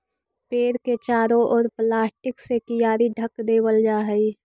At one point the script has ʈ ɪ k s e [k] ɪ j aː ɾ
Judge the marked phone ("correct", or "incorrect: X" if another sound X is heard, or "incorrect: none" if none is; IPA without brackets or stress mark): correct